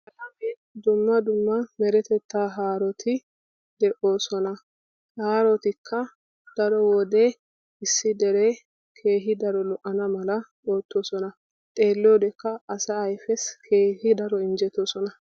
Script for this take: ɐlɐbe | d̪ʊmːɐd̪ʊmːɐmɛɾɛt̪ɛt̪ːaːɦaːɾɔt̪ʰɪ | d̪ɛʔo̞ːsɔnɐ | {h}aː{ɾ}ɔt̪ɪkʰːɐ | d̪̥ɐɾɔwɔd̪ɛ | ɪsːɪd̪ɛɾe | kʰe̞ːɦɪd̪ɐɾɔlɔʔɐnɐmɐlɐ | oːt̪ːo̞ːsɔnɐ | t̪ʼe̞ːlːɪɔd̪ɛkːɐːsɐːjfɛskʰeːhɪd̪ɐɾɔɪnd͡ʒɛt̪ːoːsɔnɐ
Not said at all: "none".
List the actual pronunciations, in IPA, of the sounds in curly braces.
h, ɾ

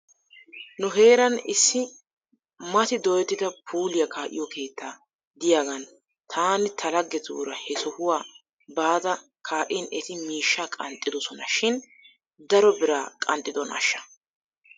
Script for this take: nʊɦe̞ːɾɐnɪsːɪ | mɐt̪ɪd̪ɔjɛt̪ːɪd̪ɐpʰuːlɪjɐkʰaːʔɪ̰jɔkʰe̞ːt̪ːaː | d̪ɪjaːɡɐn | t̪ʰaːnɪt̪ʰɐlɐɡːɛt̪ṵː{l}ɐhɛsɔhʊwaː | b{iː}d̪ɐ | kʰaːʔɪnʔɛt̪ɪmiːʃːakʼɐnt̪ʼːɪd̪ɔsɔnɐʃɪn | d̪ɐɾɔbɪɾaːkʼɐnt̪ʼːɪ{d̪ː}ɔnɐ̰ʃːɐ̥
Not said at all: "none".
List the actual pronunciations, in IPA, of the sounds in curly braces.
ɾ, aː, d̪

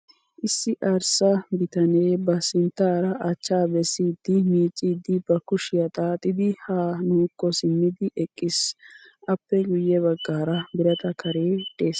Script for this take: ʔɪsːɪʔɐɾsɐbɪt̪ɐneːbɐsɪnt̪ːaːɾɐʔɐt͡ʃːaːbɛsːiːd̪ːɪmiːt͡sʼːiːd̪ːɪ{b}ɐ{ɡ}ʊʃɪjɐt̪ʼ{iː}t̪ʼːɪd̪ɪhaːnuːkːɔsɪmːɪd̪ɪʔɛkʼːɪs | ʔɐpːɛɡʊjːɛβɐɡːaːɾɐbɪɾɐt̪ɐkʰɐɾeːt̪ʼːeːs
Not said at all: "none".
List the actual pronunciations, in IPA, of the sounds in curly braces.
b, k, aː

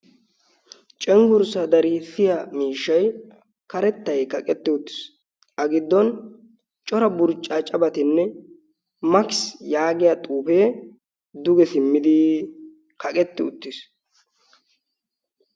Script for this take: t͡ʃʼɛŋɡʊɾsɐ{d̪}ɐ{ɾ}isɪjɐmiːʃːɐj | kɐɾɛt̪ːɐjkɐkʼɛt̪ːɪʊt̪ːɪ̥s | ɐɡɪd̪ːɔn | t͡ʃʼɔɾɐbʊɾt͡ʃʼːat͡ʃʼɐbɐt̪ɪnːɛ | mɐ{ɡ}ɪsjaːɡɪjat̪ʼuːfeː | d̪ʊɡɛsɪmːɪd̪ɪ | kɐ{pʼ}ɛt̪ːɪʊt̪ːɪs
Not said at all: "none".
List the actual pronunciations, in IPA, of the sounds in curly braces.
d̪, ɾ, k, kʼ

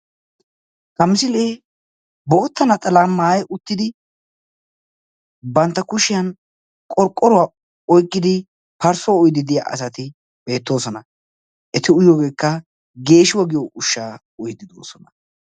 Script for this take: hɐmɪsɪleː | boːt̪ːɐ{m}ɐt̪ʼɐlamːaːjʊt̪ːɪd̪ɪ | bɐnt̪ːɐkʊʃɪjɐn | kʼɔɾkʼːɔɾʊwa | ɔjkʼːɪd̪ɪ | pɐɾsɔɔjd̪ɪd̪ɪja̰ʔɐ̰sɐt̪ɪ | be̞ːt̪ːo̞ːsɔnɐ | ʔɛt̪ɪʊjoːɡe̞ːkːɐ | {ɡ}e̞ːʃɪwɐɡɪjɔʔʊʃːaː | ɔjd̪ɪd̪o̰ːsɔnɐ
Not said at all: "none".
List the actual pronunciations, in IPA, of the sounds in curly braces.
n, ɡ

